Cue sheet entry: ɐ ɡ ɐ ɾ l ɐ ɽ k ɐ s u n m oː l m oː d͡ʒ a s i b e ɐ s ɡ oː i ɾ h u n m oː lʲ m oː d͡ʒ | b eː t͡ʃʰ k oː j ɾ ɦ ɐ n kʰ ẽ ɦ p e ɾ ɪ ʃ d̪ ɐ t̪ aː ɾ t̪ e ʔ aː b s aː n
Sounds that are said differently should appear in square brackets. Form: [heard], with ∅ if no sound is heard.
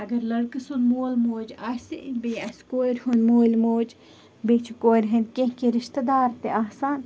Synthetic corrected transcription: ɐ ɡ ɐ ɾ l ɐ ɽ k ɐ s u n m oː l m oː d͡ʒ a s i b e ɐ s [k] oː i ɾ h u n m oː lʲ m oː d͡ʒ | b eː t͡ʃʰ k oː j ɾ ɦ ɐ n [k] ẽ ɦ [k] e ɾ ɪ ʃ [t̪] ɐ [d̪] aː ɾ t̪ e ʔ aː [∅] s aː n